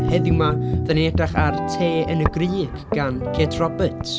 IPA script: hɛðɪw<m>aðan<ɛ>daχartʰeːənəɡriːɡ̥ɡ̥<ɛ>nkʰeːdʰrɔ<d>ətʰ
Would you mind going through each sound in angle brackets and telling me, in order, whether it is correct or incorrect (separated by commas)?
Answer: correct, correct, incorrect, incorrect